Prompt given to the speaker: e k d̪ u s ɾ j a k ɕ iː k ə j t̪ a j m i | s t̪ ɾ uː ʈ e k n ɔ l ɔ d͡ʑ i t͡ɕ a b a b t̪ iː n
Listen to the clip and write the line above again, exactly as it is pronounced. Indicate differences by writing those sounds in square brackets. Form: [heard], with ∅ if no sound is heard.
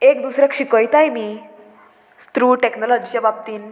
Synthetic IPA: e k d̪ u s ɾ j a k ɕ [i] k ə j t̪ a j m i | s t̪ ɾ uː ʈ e k n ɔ l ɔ d͡ʑ i t͡ɕ a b a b t̪ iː n